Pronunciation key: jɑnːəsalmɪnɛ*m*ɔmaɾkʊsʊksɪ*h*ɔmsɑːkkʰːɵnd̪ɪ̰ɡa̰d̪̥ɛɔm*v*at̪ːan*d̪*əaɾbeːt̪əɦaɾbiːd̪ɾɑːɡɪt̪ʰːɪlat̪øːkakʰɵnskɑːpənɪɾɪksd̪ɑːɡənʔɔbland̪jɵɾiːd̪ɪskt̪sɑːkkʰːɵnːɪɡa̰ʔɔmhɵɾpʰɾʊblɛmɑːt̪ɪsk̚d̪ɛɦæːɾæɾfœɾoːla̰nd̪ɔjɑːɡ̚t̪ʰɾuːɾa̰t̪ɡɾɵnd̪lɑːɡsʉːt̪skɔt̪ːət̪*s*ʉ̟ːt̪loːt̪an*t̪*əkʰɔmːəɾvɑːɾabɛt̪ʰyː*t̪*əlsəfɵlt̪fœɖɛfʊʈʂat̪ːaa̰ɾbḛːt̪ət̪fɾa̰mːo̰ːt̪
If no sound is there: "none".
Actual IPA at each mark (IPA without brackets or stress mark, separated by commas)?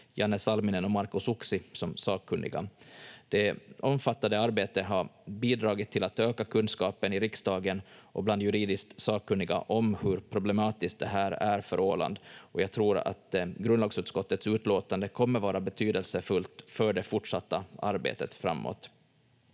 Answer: n, s, f, d̪, s, d̪, d̪